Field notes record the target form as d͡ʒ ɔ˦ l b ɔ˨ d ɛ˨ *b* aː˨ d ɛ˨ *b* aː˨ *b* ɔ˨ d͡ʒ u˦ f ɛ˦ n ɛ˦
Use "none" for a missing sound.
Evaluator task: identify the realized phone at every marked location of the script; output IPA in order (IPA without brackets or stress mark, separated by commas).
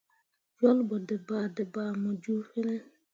b, b, m